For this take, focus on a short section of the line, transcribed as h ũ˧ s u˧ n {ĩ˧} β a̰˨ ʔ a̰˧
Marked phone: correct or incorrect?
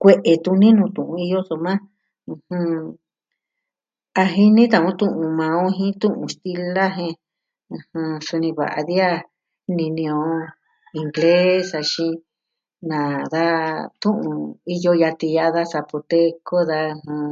correct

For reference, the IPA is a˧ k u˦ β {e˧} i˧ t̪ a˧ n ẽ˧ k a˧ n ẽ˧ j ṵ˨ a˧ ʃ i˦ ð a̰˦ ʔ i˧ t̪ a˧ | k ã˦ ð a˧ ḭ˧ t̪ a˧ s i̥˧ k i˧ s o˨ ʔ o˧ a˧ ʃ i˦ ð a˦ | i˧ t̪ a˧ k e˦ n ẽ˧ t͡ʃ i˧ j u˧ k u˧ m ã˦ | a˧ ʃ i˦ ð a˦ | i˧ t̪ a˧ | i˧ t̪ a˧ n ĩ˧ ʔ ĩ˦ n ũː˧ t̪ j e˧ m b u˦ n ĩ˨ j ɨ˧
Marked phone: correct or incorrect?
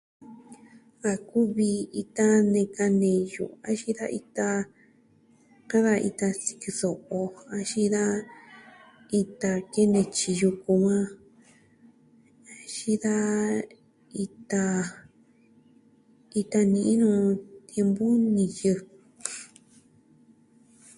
incorrect: i˧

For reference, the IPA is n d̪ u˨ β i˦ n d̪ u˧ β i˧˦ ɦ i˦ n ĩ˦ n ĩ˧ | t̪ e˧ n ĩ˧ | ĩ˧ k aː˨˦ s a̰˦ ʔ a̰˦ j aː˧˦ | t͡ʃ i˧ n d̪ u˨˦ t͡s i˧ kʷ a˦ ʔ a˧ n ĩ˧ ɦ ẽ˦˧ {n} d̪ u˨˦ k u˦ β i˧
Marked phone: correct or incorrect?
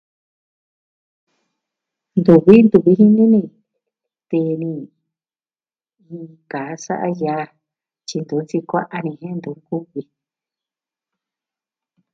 correct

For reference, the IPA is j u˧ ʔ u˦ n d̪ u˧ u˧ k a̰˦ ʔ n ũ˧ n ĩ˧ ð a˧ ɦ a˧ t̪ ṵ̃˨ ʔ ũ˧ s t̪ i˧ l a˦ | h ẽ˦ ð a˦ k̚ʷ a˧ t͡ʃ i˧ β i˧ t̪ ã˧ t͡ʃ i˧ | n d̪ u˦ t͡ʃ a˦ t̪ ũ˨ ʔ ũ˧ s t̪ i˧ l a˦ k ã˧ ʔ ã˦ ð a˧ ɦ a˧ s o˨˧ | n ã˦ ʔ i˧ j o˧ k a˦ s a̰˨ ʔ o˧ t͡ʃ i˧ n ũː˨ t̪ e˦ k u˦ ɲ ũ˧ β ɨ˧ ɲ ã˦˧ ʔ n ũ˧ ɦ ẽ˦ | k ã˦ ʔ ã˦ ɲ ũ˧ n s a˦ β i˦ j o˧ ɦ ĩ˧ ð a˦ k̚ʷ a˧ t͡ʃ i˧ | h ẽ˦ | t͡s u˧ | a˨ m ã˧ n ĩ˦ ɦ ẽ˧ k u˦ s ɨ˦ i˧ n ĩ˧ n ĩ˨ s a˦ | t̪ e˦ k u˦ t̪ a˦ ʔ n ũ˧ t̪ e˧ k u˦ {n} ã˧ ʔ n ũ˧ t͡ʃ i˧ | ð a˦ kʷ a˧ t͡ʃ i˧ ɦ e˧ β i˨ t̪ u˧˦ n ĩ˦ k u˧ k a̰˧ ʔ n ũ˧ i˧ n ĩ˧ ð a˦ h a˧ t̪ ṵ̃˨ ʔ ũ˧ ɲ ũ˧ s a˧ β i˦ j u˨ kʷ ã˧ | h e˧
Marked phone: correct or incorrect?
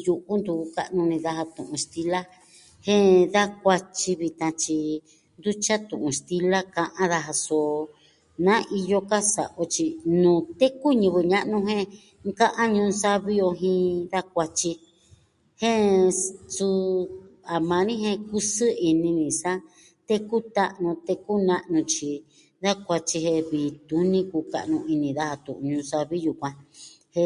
correct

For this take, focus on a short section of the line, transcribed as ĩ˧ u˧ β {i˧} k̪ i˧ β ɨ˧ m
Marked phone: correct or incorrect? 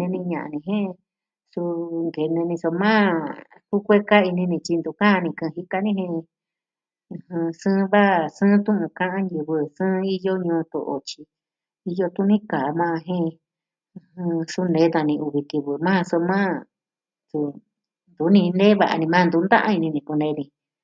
correct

